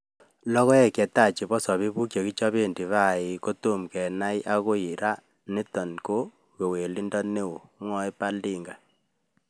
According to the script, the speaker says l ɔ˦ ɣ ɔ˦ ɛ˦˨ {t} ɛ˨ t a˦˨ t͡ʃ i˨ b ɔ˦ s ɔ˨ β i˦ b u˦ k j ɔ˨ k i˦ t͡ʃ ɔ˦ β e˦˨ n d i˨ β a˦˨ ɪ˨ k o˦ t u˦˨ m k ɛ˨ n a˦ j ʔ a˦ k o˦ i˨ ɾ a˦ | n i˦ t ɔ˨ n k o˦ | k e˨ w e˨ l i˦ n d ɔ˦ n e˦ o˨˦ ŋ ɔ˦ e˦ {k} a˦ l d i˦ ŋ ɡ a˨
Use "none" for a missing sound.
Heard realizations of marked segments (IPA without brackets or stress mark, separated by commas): k, p